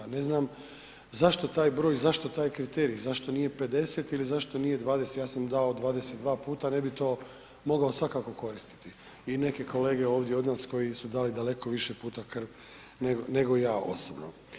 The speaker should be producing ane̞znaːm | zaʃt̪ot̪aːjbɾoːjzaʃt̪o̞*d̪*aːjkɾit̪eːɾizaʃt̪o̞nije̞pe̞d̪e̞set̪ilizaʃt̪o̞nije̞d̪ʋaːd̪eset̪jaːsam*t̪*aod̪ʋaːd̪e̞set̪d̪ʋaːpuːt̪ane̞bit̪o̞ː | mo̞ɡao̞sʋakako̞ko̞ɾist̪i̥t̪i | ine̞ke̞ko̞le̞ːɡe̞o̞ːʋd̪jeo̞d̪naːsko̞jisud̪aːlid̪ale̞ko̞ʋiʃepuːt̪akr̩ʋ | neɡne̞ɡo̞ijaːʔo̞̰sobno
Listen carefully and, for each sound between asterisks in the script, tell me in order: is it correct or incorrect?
incorrect: t̪, incorrect: d̪

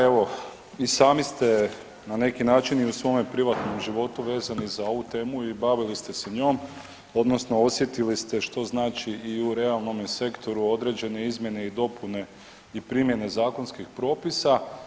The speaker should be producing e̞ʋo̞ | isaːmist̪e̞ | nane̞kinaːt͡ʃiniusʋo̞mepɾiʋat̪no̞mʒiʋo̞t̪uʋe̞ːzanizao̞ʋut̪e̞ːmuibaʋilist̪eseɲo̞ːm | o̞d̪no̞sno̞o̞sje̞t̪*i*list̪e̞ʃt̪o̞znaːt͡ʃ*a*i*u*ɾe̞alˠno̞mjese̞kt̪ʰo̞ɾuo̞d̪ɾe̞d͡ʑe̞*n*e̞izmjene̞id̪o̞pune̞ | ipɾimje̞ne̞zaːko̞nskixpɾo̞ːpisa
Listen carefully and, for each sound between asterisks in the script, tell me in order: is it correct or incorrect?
correct, incorrect: i, correct, correct

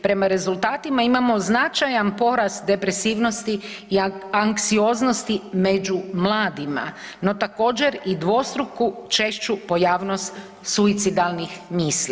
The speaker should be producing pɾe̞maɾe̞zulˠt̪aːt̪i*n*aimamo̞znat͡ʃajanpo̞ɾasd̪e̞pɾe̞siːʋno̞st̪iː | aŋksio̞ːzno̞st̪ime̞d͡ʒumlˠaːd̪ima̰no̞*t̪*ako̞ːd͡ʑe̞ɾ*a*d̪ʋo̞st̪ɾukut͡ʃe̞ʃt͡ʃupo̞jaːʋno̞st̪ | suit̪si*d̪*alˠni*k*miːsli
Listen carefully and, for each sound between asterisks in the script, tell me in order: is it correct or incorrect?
incorrect: m, correct, incorrect: i, correct, incorrect: x

